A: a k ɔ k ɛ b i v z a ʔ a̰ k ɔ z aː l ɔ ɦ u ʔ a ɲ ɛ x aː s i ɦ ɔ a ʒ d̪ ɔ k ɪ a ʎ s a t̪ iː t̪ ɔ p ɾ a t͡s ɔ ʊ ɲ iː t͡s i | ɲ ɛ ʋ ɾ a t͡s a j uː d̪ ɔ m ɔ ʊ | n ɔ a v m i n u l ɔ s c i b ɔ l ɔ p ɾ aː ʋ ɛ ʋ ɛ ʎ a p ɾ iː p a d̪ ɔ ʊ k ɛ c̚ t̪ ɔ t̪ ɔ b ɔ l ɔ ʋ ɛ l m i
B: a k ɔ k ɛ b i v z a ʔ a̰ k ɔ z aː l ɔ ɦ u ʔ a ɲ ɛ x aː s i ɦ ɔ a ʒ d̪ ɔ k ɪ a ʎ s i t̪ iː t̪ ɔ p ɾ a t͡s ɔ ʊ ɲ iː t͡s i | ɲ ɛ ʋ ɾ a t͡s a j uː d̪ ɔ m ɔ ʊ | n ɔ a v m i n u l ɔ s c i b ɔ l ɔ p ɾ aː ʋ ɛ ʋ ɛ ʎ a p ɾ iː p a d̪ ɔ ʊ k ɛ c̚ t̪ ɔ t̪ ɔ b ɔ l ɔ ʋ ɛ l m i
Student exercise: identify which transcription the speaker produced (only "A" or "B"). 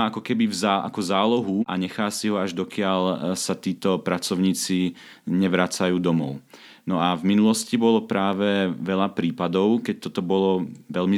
A